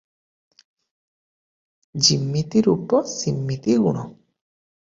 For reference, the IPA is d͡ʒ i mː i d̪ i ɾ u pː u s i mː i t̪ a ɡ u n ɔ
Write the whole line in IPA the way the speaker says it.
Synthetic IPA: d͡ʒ i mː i t̪ i ɾ u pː ɔ s i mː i t̪ i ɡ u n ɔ